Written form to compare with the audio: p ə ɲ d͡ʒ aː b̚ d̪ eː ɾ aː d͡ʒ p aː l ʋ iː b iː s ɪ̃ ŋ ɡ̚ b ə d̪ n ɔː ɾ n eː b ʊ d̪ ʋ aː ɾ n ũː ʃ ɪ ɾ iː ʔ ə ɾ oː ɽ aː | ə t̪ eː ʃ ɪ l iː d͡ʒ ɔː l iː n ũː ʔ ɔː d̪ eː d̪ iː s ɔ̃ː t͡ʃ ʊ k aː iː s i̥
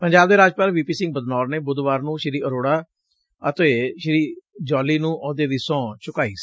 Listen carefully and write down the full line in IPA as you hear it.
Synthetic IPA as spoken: p ə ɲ d͡ʒ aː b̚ d̪ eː ɾ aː d͡ʒ p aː l ʋ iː p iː s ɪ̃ ŋ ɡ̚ b ə d̪ n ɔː ɾ n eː b ʊ d̪ ʋ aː ɾ n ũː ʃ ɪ ɾ iː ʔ ə ɾ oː ɽ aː | ə t̪ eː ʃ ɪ ɾ iː d͡ʒ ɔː l iː n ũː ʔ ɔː d̪ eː d̪ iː s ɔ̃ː t͡ʃ ʊ k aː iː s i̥